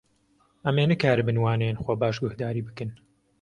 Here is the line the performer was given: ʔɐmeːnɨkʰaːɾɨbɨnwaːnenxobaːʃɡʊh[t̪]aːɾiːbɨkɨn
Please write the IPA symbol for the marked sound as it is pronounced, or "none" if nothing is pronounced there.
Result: d̪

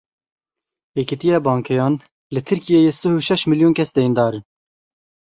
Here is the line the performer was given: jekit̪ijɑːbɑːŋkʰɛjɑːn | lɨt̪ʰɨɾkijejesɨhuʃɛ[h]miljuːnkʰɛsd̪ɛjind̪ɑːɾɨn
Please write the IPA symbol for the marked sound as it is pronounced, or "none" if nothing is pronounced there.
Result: ʃ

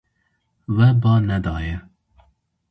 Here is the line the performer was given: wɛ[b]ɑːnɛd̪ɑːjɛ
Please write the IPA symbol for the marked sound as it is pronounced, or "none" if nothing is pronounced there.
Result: b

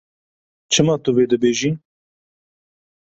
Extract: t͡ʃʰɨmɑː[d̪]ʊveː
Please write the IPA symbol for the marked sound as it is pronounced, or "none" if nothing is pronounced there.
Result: t̪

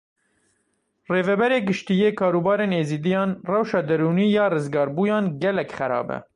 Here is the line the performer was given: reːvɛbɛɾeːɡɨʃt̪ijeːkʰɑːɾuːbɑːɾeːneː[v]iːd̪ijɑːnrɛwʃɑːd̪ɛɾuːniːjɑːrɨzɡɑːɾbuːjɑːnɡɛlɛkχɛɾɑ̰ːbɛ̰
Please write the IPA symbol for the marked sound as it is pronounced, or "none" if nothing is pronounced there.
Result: z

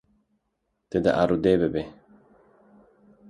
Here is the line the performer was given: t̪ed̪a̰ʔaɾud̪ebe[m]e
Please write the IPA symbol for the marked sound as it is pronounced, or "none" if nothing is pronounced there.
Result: b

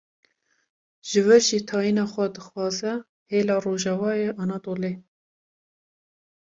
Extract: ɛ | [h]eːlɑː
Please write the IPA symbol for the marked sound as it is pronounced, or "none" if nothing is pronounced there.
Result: h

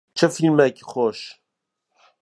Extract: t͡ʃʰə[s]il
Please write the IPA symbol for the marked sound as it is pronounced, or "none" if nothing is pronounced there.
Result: f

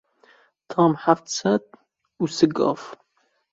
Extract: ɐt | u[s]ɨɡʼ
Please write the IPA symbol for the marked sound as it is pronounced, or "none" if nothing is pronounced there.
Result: s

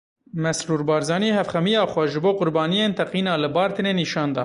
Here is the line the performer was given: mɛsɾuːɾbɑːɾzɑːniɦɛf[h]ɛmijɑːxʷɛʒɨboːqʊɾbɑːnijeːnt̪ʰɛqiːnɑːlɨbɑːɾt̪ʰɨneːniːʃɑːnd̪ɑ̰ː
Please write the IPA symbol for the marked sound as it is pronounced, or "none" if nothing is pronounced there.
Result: x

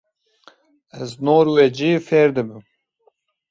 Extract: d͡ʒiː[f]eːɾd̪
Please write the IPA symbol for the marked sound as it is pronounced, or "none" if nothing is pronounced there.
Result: f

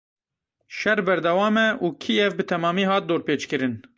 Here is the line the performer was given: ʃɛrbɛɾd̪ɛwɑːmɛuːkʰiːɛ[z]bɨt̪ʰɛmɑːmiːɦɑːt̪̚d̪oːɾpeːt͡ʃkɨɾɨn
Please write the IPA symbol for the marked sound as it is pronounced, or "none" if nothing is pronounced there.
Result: v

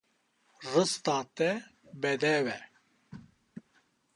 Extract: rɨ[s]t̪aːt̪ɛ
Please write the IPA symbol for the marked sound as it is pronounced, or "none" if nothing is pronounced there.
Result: s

